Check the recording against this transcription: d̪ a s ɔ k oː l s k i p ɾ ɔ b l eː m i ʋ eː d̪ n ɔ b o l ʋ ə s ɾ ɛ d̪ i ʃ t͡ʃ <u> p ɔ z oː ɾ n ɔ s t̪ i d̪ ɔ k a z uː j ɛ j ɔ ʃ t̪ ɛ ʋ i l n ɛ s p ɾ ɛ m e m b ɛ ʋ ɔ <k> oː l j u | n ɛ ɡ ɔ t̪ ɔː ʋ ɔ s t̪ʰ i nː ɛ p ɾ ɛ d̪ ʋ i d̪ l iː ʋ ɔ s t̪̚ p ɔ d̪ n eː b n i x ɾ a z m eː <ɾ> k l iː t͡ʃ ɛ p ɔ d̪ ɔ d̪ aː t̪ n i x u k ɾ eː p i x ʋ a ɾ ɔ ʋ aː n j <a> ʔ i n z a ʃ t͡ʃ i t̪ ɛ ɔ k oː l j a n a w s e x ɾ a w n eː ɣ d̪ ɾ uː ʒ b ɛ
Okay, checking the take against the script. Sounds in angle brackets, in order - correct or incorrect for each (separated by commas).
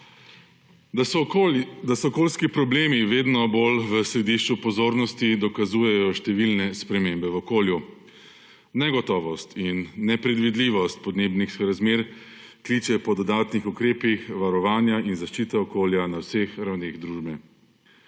correct, correct, correct, correct